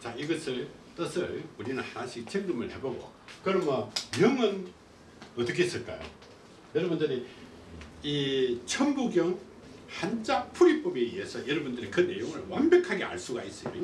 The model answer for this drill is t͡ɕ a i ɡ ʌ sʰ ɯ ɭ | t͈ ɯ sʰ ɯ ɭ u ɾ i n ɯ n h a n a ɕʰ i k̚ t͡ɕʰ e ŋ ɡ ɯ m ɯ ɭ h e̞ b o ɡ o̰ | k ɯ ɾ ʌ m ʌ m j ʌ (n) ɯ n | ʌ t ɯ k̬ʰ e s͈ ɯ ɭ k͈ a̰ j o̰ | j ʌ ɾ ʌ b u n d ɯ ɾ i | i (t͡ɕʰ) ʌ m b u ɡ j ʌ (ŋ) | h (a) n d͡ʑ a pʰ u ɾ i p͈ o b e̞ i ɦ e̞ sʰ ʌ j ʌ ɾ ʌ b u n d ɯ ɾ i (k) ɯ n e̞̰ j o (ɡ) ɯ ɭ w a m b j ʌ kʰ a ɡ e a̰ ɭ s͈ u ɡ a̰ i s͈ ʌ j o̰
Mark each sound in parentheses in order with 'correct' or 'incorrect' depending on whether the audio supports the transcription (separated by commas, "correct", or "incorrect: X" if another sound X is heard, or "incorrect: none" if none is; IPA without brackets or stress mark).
incorrect: ŋ, correct, correct, correct, correct, incorrect: ŋ